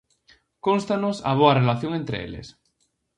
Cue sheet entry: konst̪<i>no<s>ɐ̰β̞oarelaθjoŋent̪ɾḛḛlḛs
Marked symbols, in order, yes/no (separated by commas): no, yes